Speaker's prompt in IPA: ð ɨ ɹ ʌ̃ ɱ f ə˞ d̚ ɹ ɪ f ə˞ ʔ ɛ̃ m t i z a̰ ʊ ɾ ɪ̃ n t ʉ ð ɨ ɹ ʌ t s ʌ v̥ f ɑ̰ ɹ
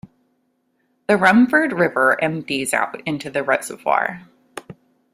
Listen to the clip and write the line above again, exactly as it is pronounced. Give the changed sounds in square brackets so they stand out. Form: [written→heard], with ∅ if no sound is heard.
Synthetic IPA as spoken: ð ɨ ɹ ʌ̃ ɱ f ə˞ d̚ ɹ ɪ [f→v] ə˞ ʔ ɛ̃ m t i z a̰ ʊ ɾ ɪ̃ n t ʉ ð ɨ ɹ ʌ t s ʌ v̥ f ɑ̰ ɹ